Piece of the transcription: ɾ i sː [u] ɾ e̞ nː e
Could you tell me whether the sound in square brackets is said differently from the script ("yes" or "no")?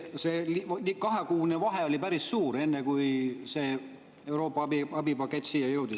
yes